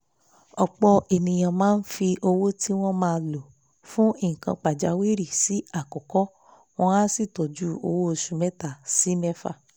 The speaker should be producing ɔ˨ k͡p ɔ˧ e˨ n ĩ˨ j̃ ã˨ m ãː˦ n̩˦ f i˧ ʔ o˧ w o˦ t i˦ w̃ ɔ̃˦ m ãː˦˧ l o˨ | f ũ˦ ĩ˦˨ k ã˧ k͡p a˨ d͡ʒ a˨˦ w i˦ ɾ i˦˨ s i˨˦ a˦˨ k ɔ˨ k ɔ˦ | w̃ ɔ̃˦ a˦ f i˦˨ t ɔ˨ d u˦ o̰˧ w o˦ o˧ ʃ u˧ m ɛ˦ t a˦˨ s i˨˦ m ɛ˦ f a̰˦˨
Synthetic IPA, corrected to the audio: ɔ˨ k͡p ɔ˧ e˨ n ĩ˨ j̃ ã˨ m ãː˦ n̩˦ f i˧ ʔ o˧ w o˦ t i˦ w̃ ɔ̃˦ m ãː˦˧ l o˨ | f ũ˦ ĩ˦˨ k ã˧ k͡p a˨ d͡ʒ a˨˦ w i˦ ɾ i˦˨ s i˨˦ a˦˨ k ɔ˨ k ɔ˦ | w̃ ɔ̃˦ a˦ s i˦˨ t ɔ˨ d͡ʒ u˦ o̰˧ w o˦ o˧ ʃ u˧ m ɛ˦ t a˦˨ s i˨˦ m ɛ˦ f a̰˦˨

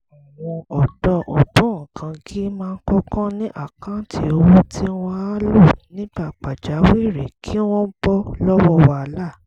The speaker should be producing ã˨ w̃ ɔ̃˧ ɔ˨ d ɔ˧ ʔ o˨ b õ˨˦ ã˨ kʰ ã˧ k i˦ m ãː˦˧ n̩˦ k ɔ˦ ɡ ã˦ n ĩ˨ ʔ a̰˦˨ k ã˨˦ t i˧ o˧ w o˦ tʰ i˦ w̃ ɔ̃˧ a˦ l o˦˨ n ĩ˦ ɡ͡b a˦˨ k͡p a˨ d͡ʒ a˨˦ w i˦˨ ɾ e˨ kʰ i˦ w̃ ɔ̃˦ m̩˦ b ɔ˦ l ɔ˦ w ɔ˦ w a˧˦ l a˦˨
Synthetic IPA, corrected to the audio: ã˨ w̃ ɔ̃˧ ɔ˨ d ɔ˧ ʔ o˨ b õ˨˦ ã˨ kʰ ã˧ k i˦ m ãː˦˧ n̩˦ k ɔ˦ k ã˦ n ĩ˦ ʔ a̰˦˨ k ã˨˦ t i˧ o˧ w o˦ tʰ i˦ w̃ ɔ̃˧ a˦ l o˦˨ n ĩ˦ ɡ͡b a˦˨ k͡p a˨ d͡ʒ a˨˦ w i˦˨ ɾ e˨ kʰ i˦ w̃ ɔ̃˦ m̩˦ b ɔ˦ l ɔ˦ w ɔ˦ w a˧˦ l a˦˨

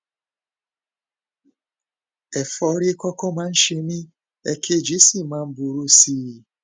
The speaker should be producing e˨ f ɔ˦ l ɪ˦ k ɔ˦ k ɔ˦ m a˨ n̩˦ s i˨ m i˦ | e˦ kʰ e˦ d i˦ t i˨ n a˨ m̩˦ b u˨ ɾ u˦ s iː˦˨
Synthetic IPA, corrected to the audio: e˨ f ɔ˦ ɾ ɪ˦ k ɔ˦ k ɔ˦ m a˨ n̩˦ ʃ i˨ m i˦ | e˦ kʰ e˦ d͡ʒ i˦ s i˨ m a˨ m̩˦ b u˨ ɾ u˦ s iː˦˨

